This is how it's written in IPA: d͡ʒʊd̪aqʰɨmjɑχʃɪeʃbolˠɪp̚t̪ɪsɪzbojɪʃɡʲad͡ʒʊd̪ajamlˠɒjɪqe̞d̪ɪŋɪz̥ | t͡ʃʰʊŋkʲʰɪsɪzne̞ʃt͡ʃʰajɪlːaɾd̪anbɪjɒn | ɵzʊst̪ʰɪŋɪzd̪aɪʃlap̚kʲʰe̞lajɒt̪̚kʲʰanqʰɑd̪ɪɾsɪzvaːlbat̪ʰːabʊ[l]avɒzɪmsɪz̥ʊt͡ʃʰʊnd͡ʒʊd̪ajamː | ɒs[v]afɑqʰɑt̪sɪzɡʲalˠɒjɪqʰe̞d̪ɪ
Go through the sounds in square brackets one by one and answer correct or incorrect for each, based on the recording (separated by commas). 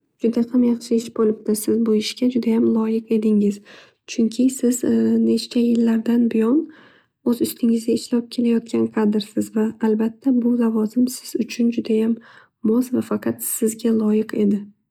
correct, correct